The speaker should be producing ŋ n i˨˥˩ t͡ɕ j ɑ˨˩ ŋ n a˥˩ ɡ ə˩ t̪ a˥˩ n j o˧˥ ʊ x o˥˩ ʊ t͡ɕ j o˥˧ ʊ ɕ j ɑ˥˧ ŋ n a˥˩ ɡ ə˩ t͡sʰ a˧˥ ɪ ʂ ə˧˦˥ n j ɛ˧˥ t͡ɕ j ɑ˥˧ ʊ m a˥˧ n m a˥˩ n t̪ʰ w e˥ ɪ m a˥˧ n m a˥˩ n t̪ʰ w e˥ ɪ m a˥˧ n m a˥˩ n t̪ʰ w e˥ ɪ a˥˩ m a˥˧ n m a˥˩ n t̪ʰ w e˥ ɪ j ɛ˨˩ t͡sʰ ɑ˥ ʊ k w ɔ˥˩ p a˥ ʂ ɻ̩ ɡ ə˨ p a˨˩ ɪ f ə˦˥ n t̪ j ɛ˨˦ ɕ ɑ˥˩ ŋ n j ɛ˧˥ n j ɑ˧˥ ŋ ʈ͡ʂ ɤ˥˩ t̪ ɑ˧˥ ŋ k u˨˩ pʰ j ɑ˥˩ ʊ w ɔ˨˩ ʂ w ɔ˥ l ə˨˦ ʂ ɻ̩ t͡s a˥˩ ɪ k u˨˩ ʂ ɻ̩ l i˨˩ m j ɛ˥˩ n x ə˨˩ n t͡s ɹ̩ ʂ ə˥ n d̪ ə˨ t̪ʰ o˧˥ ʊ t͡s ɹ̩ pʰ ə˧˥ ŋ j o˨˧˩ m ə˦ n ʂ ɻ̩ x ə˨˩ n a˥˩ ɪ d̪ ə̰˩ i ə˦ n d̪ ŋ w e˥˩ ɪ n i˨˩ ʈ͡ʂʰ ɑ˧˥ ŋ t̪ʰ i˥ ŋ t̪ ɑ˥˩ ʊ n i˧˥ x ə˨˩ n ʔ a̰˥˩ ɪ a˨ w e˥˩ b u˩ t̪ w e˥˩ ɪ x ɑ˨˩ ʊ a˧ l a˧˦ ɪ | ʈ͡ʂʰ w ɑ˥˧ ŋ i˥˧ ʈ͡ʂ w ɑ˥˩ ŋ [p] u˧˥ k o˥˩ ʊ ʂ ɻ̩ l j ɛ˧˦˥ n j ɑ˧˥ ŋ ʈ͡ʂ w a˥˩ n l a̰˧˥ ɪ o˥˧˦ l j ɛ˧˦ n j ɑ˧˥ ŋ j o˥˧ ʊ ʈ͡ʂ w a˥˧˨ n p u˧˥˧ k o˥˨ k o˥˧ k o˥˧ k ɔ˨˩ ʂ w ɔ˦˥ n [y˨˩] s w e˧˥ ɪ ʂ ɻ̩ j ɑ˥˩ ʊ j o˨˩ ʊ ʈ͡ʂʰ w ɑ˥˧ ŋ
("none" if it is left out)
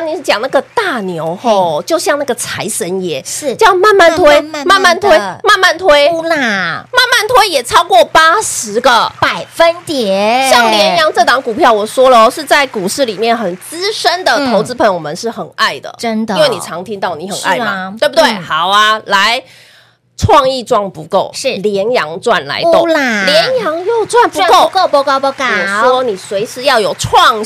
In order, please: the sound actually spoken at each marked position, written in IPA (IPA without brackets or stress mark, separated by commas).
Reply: p, i˨˩